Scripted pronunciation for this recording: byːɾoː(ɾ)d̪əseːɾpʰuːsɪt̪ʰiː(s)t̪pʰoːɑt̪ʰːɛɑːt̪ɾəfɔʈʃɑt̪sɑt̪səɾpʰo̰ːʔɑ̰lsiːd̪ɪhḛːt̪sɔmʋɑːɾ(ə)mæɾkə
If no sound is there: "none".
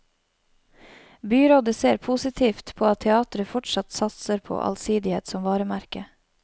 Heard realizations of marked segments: none, f, ə

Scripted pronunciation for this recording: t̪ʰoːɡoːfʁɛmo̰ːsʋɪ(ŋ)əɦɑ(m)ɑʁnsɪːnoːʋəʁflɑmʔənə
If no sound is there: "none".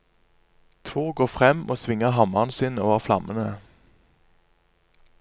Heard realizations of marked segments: ŋ, m

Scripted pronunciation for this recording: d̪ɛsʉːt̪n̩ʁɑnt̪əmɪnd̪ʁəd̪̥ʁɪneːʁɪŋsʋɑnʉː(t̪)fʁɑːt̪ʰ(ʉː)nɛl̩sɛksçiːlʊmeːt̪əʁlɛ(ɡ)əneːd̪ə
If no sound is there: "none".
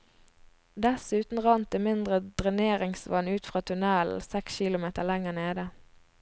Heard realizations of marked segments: t̪, ʉ, ŋ

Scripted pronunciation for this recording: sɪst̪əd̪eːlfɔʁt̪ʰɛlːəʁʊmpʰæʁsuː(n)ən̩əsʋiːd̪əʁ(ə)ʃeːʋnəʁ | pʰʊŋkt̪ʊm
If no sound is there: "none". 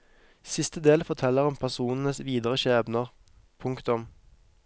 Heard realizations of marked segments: n, ə

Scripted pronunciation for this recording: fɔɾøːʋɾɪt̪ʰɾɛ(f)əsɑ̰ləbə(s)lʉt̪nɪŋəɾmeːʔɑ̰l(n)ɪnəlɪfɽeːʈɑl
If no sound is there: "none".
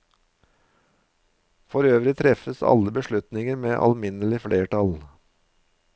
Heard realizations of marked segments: f, ʃ, m

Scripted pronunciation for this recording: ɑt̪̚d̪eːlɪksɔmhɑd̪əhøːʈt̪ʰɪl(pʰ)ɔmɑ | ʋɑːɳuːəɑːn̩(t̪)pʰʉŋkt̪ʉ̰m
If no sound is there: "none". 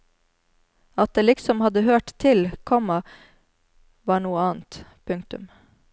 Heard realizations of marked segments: kʰ, t̪

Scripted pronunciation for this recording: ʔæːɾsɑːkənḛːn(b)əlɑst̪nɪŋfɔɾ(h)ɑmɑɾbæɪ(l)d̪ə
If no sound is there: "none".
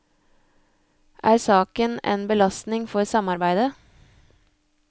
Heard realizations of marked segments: b, s, none

